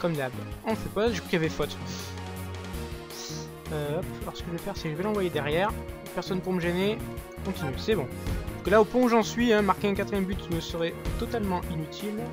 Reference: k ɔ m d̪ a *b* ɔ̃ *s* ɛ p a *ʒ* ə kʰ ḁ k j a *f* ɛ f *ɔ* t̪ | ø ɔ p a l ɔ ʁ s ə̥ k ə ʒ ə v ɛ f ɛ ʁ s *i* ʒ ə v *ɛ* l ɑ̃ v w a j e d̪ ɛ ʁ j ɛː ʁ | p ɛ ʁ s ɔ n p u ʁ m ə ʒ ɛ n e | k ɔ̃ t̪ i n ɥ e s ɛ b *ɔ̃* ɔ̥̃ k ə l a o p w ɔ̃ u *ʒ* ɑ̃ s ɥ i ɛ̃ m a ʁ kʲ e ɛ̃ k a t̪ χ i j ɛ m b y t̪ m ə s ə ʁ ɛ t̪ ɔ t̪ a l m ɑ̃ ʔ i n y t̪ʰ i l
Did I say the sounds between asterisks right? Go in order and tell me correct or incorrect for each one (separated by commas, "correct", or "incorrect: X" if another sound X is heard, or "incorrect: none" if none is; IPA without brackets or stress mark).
correct, incorrect: f, correct, incorrect: v, correct, incorrect: ɛ, correct, correct, correct